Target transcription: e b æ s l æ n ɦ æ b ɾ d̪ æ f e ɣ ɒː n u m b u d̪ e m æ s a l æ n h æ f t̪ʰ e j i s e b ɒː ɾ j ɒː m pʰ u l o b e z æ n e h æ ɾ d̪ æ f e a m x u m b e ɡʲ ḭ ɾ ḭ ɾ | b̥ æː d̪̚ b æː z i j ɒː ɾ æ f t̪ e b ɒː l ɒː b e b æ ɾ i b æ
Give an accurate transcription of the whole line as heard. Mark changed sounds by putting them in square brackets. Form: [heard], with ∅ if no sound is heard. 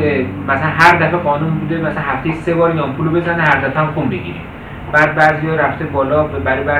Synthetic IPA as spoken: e [m] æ s l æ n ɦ æ [∅] ɾ d̪ æ f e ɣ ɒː n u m b u d̪ e m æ s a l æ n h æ f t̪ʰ e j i s e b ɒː ɾ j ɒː m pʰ u l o b e z æ n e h æ ɾ d̪ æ f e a m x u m b e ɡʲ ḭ ɾ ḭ [∅] | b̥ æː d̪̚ b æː z i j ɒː ɾ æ f t̪ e b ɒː l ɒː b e b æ ɾ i b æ